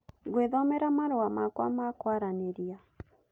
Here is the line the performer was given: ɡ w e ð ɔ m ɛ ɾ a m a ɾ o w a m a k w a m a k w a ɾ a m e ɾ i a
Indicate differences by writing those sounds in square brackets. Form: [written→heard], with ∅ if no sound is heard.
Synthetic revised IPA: ɡ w e ð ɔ m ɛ ɾ a m a ɾ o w a m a k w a m a k w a ɾ a [m→n] e ɾ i a